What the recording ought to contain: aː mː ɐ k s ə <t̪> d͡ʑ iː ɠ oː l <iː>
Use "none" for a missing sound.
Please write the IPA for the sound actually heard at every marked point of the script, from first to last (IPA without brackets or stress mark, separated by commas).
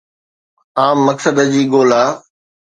d̪, aː